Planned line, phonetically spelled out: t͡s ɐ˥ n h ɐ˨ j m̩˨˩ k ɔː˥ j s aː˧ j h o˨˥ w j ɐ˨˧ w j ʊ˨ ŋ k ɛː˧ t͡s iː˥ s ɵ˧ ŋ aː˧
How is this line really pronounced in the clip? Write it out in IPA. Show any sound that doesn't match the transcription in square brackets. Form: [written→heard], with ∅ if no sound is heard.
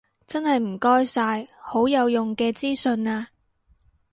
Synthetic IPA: t͡s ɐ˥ n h ɐ˨ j m̩˨˩ k ɔː˥ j s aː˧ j h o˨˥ w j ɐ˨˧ w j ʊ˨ ŋ k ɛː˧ t͡s iː˥ s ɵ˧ [ŋ→n] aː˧